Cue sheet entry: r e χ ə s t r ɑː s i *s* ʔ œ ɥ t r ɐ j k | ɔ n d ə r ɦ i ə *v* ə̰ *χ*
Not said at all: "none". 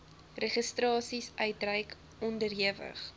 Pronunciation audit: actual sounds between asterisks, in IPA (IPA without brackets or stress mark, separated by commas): s, v, χ